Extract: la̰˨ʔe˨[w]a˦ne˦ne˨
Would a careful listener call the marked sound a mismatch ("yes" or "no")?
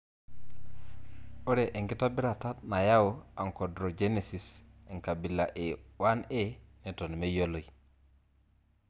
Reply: no